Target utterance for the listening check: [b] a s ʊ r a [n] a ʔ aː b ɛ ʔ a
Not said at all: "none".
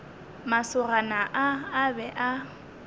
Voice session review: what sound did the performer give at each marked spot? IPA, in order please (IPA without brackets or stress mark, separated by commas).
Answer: m, n